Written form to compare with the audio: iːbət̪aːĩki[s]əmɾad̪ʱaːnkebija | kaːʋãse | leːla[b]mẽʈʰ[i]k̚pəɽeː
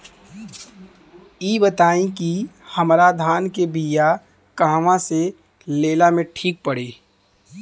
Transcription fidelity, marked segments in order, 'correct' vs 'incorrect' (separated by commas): incorrect, incorrect, incorrect